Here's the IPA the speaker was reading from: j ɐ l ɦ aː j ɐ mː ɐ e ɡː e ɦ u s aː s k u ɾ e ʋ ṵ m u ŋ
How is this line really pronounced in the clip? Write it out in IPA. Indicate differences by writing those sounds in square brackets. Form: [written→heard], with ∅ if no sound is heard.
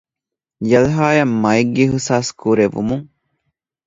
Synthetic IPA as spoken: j ɐ l ɦ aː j ɐ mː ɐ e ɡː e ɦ u s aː s k u ɾ e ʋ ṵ m u ŋ